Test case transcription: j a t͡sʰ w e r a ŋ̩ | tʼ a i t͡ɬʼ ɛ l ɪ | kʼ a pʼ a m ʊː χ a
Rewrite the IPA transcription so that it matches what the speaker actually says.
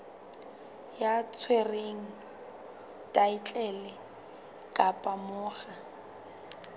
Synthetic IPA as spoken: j a t͡sʰ w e r e ŋ̩ | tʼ a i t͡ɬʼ ɛ l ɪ | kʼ a pʼ a m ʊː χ a